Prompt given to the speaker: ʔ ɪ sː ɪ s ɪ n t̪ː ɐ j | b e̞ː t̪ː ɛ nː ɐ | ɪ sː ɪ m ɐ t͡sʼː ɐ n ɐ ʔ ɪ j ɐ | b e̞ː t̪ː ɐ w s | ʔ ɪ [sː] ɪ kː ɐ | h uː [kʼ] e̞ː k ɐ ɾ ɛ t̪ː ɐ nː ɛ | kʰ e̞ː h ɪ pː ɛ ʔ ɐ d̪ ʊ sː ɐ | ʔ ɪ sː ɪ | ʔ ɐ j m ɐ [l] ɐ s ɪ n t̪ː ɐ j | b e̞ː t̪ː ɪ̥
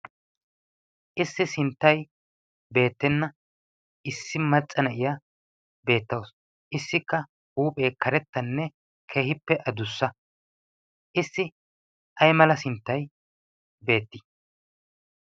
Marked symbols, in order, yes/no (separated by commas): yes, no, yes